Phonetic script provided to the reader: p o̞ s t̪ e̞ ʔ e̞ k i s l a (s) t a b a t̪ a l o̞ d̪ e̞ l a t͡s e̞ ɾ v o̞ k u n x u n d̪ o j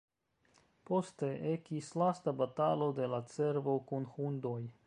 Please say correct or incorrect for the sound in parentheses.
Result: correct